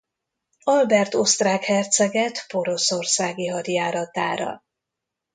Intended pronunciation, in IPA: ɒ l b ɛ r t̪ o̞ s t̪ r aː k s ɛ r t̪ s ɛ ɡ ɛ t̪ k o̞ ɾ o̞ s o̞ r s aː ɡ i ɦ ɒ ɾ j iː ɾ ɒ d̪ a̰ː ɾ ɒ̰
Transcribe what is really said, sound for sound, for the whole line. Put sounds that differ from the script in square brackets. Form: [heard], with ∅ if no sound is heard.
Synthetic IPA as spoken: ɒ l b ɛ r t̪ o̞ s t̪ r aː k [h] ɛ r t̪ s ɛ ɡ ɛ t̪ [p] o̞ ɾ o̞ s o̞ r s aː ɡ i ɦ ɒ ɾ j [aː] ɾ ɒ [t̪] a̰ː ɾ ɒ̰

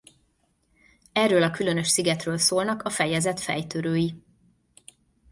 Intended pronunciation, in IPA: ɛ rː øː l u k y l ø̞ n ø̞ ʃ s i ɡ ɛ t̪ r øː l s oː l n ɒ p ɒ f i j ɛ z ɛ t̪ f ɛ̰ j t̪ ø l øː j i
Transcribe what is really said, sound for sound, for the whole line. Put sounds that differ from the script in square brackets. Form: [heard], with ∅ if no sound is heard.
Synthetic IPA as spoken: ɛ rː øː l [ɒ] k y l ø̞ n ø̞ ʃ s i ɡ ɛ t̪ r øː l s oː l n ɒ [k] ɒ f [ɛ] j ɛ z ɛ t̪ f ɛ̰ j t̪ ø [ɾ] øː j i

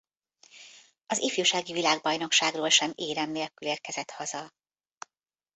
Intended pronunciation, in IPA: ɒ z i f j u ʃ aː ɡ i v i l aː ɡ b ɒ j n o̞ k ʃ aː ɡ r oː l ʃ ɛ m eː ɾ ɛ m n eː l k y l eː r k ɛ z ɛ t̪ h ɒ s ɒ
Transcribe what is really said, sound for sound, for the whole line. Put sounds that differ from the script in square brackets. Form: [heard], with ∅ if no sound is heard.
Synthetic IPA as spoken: ɒ z i f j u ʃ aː ɡ i v i l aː ɡ b ɒ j n o̞ k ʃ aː ɡ r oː l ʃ ɛ m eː ɾ ɛ m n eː l k y l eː r k ɛ z ɛ t̪ h ɒ [z] ɒ

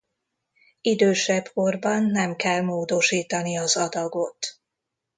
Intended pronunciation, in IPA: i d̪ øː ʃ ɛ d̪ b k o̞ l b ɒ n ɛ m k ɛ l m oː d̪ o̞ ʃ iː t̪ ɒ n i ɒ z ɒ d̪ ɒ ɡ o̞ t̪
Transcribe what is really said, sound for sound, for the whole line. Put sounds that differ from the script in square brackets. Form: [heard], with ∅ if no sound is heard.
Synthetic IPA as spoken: i d̪ øː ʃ ɛ [∅] b k o̞ [r] b ɒ [nː] ɛ m k ɛ l m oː d̪ o̞ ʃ iː t̪ ɒ n i ɒ z ɒ d̪ ɒ ɡ o̞ t̪

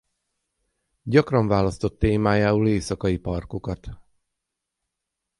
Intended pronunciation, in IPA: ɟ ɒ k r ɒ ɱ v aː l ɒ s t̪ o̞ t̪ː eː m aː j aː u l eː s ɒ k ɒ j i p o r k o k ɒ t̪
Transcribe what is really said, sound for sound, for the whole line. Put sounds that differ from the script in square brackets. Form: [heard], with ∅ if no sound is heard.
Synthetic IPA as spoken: ɟ ɒ k r ɒ ɱ v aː l ɒ s t̪ o̞ t̪ː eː m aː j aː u l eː s ɒ k ɒ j i p [ɒ] r k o k ɒ t̪

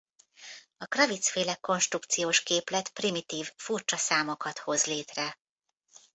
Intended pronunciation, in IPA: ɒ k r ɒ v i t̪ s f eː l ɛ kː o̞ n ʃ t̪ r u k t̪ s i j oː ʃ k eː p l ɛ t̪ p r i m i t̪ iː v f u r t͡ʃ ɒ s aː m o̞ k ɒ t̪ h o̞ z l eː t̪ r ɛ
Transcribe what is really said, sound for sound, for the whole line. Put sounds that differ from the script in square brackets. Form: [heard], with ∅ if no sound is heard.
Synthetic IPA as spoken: ɒ k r ɒ v i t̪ s f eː l ɛ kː o̞ n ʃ t̪ r u k t̪ s i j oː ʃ k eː p l ɛ t̪ p r i m i t̪ iː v f u r t͡ʃ ɒ s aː m o̞ k ɒ t̪ h o̞ z l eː t̪ r ɛ

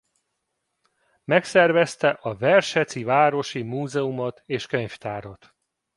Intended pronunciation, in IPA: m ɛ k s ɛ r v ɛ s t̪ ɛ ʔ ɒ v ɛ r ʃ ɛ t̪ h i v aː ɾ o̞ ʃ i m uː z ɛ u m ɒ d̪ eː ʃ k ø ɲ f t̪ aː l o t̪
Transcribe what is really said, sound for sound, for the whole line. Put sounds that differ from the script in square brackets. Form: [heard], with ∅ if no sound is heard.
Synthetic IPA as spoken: m ɛ k s ɛ r v ɛ s t̪ ɛ ʔ ɒ v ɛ r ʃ ɛ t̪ [s] i v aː ɾ o̞ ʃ i m uː z ɛ u m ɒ [t̪] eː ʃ k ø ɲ f t̪ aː [ɾ] o t̪

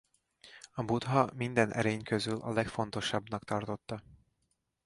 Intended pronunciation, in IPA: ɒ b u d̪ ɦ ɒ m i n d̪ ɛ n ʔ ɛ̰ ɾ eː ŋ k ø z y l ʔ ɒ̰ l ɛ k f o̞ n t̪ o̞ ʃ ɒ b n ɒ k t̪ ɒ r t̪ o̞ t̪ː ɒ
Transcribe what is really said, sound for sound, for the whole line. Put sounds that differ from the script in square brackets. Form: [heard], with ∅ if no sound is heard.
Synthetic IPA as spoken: ɒ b u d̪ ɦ ɒ m i n d̪ ɛ n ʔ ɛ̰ ɾ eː [ɲ] k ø z y l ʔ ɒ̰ l ɛ k f o̞ n t̪ o̞ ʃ ɒ b n ɒ k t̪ ɒ r t̪ o̞ t̪ː ɒ

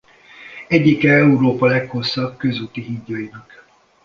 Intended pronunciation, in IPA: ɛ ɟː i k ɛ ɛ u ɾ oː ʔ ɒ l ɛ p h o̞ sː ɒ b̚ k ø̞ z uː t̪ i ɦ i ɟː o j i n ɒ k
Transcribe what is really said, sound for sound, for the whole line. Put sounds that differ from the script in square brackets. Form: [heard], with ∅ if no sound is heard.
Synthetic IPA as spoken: ɛ ɟː i k ɛ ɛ u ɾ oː [p] ɒ l ɛ [k] h o̞ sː ɒ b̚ k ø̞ z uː t̪ i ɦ i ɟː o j i n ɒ k

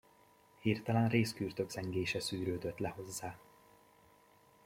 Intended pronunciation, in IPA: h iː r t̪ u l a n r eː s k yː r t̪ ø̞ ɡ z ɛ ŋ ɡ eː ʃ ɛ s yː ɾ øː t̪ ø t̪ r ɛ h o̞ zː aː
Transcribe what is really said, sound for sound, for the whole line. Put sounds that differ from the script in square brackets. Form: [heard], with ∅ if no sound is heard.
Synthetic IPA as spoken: h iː r t̪ [ɒ] l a n r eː s k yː r t̪ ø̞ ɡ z ɛ ŋ ɡ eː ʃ ɛ s yː ɾ øː [d̪] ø t̪ [l] ɛ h o̞ zː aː

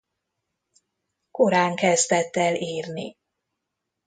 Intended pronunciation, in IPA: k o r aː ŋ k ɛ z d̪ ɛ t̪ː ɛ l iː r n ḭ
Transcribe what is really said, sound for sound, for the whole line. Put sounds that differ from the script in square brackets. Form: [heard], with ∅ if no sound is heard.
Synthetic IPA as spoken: k o [ɾ] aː ŋ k ɛ z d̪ ɛ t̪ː ɛ l iː r n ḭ

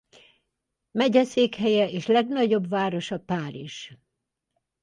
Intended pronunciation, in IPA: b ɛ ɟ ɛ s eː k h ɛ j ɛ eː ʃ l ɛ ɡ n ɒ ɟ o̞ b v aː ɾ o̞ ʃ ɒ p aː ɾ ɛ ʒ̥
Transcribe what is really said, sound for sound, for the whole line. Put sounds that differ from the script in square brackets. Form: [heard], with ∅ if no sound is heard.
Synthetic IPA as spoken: [m] ɛ ɟ ɛ s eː k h ɛ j ɛ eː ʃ l ɛ ɡ n ɒ ɟ o̞ b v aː ɾ o̞ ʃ ɒ p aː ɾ [i] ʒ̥

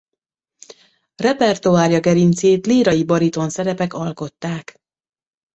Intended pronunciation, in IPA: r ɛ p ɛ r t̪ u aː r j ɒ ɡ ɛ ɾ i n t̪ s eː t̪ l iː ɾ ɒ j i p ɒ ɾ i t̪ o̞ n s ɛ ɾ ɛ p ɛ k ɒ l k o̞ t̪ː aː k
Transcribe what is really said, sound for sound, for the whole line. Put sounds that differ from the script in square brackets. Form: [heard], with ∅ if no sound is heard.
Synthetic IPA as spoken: r ɛ p ɛ r t̪ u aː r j ɒ ɡ ɛ ɾ i n t̪ s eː t̪ l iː ɾ ɒ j i [b] ɒ ɾ i t̪ o̞ n s ɛ ɾ ɛ p ɛ k ɒ l k o̞ t̪ː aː k

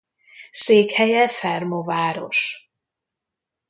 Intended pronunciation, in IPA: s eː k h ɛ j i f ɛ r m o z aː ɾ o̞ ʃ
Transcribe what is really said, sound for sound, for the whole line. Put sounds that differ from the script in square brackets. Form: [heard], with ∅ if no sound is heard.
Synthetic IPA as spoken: s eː k h ɛ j [ɛ] f ɛ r m o [v] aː ɾ o̞ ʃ

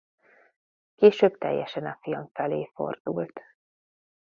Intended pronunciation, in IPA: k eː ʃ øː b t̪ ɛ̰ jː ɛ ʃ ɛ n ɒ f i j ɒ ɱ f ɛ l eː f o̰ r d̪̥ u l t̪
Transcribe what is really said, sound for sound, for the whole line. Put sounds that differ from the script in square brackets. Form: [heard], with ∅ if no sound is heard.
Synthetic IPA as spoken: k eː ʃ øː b t̪ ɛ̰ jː ɛ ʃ ɛ n ɒ f i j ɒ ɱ f ɛ l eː f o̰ r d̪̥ u l t̪

